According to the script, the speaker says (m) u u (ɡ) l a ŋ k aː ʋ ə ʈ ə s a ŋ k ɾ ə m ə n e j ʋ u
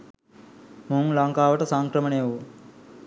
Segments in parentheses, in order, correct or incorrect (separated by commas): correct, incorrect